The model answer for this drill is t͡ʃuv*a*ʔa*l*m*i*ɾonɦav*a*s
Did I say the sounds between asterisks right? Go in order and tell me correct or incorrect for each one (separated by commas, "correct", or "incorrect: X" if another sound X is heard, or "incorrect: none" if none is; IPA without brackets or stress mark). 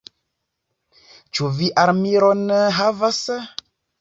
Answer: incorrect: i, incorrect: ɾ, correct, correct